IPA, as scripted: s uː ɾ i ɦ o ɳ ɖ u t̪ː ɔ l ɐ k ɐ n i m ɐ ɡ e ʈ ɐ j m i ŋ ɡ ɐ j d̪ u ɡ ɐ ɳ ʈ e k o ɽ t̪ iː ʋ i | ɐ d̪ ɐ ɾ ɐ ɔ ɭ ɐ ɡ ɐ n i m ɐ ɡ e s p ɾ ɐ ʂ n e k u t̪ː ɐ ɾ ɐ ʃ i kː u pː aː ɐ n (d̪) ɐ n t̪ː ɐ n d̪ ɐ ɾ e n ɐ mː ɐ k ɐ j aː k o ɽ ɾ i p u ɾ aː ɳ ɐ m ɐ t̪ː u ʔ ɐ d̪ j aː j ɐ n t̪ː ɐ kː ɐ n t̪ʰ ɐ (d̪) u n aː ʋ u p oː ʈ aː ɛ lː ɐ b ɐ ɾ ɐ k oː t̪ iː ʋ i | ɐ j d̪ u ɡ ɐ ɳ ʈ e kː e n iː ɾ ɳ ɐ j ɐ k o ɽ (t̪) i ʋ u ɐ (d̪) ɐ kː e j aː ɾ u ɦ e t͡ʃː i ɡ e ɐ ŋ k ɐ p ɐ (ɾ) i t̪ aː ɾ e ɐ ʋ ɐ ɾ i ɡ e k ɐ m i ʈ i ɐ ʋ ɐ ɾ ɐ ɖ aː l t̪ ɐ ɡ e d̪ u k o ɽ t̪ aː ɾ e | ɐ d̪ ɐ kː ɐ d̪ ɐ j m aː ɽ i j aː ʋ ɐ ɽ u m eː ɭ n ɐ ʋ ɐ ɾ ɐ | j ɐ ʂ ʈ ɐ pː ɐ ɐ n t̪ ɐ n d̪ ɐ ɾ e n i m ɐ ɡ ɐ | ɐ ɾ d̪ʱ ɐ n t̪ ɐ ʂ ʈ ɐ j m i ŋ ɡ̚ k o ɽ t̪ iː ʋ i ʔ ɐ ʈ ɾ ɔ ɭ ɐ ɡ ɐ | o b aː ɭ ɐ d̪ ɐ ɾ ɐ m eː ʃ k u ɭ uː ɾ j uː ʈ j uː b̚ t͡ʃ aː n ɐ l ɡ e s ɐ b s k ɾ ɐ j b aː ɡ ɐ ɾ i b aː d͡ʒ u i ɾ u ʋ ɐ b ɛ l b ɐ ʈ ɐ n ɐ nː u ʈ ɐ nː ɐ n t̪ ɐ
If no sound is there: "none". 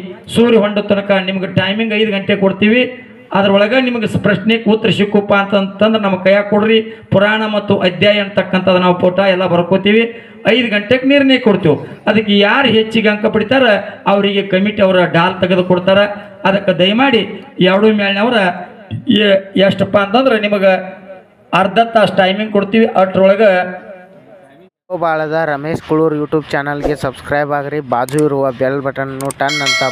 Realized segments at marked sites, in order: t̪, d̪, t̪, d̪, ɽ

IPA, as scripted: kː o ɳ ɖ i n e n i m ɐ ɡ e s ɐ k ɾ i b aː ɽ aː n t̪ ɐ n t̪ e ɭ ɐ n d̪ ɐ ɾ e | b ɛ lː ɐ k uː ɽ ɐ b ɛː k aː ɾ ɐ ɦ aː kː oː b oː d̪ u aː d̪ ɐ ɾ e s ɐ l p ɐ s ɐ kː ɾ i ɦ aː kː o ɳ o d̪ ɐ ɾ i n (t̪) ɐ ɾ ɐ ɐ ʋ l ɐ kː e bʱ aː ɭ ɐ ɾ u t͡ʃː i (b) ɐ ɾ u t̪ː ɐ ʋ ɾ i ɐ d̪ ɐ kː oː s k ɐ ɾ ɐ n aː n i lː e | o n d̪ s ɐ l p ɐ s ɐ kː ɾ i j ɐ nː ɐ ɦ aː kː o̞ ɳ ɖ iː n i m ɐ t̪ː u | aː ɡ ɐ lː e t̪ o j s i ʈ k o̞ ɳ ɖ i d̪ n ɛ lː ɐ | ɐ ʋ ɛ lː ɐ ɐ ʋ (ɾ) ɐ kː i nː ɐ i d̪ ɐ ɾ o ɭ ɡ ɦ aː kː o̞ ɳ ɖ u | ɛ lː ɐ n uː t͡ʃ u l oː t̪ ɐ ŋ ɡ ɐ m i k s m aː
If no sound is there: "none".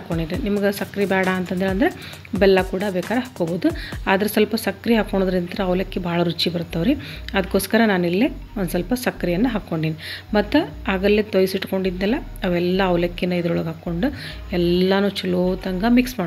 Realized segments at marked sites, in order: t̪, b, l

